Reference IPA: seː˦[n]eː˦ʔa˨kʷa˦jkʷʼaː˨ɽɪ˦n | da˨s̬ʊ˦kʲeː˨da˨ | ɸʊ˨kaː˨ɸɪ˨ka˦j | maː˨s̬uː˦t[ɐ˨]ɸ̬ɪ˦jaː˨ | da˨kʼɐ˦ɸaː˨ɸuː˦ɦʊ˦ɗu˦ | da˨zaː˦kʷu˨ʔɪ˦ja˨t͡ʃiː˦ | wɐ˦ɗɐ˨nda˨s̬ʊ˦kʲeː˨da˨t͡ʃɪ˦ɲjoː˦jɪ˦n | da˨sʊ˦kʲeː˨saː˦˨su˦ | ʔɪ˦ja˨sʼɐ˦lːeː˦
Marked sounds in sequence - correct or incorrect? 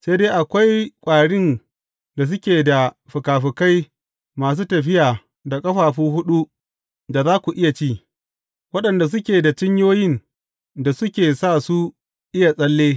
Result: incorrect, correct

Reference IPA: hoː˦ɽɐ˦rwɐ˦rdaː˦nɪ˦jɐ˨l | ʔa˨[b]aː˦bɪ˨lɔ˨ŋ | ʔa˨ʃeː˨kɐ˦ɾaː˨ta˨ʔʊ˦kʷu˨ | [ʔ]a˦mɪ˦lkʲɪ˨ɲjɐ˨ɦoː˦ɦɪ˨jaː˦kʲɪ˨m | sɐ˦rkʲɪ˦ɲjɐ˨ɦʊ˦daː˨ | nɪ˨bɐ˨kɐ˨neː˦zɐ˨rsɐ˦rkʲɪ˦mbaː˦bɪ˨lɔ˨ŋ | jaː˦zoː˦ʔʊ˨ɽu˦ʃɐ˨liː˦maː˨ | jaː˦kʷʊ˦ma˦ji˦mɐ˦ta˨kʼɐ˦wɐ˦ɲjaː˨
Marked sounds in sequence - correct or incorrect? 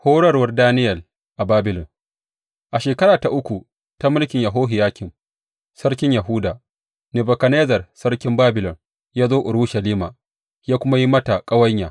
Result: correct, incorrect

